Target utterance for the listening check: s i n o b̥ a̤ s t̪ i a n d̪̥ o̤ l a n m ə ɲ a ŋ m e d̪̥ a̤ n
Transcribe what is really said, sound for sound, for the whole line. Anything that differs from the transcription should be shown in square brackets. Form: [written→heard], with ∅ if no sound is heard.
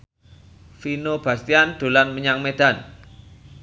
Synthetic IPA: [s→f] i n o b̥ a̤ s t̪ i a n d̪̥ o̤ l a n m ə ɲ a ŋ m e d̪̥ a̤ n